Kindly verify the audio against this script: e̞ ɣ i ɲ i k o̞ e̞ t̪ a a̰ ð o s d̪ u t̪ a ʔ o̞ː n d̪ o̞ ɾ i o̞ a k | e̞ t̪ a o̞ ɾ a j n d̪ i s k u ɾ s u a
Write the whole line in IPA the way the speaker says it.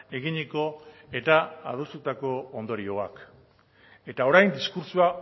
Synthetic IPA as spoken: e̞ ɣ i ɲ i k o̞ e̞ t̪ a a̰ ð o s t̪ u t̪ a k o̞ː n d̪ o̞ ɾ i o̞ a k | e̞ t̪ a o̞ ɾ a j n d̪ i s k u ɾ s u a